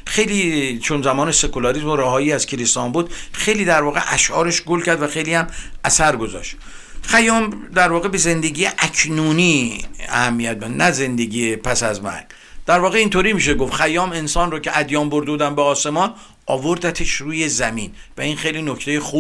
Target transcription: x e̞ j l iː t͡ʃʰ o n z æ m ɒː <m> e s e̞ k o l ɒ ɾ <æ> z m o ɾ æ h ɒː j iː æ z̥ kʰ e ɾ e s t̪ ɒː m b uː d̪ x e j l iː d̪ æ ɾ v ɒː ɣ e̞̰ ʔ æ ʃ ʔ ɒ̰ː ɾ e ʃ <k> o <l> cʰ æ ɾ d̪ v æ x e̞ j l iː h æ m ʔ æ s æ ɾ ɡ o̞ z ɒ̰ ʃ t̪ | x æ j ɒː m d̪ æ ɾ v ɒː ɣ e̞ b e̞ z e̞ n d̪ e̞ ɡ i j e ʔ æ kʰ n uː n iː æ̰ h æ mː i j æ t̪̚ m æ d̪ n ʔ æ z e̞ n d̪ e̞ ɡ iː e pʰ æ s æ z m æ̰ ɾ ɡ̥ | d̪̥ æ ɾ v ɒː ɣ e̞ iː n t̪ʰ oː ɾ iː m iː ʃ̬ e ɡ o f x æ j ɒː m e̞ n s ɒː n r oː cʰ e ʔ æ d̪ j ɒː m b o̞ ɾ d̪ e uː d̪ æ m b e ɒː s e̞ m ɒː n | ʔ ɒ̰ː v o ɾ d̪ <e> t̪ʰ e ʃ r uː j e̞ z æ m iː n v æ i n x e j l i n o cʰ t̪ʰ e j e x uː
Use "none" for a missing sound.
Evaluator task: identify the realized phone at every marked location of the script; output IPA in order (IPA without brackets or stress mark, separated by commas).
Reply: n, i, ɡ, l, æ